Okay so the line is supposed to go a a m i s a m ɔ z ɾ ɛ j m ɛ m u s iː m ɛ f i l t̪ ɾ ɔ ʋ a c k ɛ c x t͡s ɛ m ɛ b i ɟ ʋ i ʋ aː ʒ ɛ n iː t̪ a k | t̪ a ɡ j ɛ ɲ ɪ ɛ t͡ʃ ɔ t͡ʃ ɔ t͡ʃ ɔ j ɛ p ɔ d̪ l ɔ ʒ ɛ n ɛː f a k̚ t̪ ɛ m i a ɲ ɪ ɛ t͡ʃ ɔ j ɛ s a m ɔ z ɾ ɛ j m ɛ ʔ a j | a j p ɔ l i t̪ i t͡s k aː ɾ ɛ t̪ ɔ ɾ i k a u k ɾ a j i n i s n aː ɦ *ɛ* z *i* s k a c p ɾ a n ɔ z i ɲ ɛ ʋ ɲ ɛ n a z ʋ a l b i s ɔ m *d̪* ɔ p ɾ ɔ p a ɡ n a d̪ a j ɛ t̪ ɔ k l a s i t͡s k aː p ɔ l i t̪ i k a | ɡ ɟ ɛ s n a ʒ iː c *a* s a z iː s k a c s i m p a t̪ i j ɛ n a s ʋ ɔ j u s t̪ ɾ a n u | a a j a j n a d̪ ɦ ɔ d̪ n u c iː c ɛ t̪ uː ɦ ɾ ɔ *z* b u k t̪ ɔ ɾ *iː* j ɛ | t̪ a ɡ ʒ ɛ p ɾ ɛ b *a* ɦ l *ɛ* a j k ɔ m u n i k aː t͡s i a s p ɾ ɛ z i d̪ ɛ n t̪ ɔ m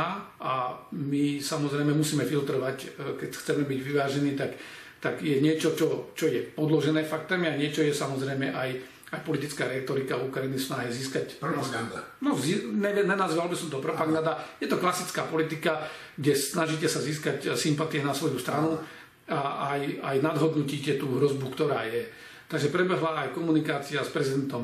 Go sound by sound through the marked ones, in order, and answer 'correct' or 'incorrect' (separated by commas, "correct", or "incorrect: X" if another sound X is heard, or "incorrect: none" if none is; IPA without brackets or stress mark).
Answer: correct, incorrect: iː, incorrect: t̪, incorrect: ɛ, correct, incorrect: aː, incorrect: ɛ, incorrect: a